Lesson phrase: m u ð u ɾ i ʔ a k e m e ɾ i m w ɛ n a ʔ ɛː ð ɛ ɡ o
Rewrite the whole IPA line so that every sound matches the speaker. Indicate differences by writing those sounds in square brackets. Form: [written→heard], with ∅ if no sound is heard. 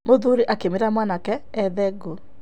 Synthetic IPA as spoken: m [u→o] ð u ɾ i ʔ a k e m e ɾ [i→a] m w [ɛ→a] n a [ʔ→k] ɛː ð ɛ ɡ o